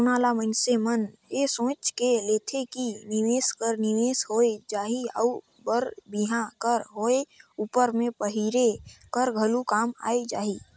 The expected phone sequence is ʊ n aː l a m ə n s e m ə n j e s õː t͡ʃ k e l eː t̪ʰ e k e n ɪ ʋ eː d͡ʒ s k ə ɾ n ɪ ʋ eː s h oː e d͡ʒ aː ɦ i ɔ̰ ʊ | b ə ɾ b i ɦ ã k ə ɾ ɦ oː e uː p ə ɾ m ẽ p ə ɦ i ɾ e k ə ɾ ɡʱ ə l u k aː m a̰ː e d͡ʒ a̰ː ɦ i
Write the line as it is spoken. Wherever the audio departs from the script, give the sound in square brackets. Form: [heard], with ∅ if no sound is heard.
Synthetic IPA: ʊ n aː l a m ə n s e m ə n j e s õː t͡ʃ k e l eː t̪ʰ e k [i] n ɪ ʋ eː [∅] s k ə ɾ n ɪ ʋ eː s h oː e d͡ʒ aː ɦ i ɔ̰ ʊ | b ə ɾ b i ɦ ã k ə ɾ ɦ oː e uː p ə ɾ m ẽ p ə ɦ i ɾ e k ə ɾ ɡʱ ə l u k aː m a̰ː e d͡ʒ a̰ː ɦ i